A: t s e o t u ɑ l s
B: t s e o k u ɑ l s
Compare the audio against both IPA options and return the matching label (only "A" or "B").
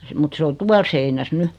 A